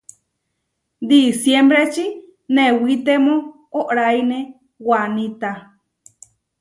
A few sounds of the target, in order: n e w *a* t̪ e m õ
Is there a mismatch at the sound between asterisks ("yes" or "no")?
yes